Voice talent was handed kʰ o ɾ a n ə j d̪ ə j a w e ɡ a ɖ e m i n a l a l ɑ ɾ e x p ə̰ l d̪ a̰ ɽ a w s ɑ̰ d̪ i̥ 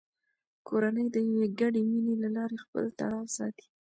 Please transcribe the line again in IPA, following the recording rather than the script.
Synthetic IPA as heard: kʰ o ɾ a n ə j d̪ ə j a w e ɡ a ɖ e m i n e l a l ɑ ɾ e x p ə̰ l t̪ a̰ ɽ ɑ w s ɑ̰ t̪ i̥